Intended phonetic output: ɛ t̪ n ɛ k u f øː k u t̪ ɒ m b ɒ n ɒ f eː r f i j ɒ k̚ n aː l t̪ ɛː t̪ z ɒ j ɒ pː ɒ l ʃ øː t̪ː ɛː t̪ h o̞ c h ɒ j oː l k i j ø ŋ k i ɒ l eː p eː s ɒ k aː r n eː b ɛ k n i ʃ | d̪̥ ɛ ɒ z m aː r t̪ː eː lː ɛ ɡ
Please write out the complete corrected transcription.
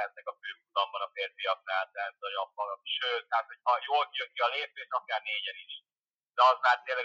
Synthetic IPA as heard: ɛ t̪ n ɛ k ɒ f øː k u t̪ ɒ m b ɒ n ɒ f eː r f i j ɒ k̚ n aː l t̪ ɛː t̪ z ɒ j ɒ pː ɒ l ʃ øː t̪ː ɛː t̪ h o̞ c h ɒ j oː l k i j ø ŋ k i ɒ l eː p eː ʃ ɒ k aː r n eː ɟ ɛ n i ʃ | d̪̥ ɛ ɒ z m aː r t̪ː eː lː ɛ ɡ